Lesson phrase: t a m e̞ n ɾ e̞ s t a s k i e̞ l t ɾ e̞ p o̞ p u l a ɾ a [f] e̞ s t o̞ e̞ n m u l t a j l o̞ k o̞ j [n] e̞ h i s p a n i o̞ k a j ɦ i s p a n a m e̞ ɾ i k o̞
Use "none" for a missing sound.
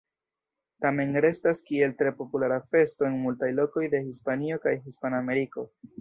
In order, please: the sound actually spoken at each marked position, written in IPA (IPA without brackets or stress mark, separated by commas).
f, d